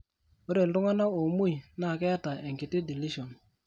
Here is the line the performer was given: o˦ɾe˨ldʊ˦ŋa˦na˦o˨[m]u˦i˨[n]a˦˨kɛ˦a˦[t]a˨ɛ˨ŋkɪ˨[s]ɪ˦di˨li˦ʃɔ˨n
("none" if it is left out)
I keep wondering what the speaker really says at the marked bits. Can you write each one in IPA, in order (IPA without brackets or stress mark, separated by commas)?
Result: m, n, t, t